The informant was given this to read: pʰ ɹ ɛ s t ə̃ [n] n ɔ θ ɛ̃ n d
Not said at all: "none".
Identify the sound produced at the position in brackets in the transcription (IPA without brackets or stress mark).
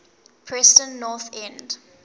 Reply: n